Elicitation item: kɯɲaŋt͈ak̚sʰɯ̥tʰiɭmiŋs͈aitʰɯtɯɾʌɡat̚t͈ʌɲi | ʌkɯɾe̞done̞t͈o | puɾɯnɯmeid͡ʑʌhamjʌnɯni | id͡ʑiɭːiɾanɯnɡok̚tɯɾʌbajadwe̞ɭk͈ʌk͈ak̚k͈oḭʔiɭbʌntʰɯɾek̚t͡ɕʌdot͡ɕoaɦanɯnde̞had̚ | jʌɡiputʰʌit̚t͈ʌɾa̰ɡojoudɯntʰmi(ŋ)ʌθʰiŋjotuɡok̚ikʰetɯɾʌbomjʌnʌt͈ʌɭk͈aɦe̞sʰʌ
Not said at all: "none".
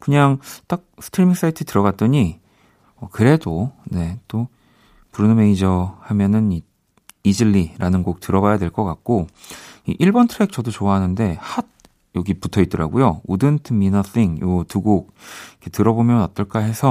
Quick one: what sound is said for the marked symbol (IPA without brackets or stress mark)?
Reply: n